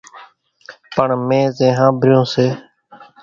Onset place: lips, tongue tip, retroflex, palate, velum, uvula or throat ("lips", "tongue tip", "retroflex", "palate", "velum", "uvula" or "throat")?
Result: lips